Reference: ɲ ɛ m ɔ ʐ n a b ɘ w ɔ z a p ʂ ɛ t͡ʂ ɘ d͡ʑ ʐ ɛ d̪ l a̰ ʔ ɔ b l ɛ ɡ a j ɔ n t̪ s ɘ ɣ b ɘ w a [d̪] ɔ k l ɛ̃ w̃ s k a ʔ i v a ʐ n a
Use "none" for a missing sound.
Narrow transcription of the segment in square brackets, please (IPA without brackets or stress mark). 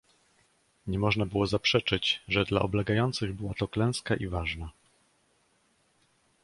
t̪